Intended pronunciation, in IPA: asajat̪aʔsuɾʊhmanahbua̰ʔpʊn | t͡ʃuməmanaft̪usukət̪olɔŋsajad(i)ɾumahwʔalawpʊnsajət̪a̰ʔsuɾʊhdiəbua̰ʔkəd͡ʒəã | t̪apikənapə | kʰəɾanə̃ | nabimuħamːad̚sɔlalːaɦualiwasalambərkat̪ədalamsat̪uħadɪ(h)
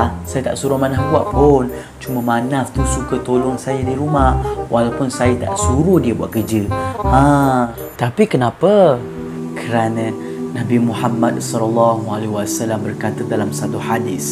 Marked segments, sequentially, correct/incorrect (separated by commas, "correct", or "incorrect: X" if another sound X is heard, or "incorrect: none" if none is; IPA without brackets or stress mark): correct, incorrect: s